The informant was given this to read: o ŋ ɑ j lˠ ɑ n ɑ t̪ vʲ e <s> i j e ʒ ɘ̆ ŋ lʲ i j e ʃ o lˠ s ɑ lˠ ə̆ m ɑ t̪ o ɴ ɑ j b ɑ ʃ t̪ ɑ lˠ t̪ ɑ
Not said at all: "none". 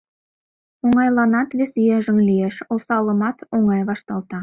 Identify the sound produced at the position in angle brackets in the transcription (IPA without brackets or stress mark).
s